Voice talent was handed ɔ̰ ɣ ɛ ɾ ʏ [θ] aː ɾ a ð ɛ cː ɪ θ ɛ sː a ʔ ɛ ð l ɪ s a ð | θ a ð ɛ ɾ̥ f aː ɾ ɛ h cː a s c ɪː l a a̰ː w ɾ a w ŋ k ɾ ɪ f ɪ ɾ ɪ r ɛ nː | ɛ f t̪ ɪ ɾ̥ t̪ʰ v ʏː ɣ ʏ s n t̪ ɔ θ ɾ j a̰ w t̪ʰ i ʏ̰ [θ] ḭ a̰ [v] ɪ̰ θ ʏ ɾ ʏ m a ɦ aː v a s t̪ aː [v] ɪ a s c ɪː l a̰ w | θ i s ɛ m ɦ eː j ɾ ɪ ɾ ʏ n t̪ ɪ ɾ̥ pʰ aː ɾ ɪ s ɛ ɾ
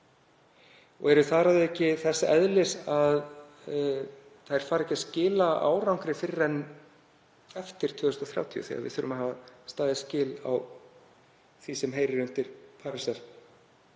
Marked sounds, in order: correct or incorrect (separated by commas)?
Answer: correct, correct, correct, incorrect